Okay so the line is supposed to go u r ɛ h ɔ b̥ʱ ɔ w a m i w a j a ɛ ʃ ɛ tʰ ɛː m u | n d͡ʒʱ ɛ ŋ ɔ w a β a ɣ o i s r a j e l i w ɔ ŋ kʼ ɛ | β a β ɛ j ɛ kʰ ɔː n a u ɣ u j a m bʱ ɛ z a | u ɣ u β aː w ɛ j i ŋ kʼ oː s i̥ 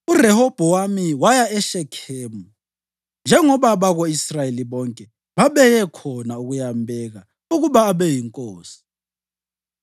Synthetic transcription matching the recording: u r ɛ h ɔ b̥ʱ ɔ w a m i w a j a ɛ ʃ ɛ kʰ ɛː m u | n d͡ʒʱ ɛ ŋ ɔ β a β a ɣ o i s r a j e l i β ɔ ŋ kʼ ɛ | β a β ɛ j ɛ kʰ ɔ n a u ɣ u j a m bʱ ɛ ɣ a | u ɣ u β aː β ɛ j i ŋ kʼ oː s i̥